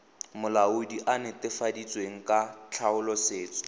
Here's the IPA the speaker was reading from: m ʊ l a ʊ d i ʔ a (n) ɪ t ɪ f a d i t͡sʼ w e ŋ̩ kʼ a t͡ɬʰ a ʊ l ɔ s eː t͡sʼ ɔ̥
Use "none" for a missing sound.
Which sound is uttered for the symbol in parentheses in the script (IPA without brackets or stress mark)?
n